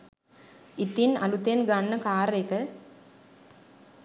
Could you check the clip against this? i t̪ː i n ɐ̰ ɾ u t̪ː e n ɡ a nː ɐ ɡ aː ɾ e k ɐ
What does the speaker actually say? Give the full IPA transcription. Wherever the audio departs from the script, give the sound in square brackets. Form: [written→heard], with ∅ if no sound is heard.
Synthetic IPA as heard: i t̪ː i n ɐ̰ [ɾ→l] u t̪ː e n ɡ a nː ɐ [ɡ→k] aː ɾ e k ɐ